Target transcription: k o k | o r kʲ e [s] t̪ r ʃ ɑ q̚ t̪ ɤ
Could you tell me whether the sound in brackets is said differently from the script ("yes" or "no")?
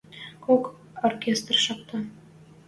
no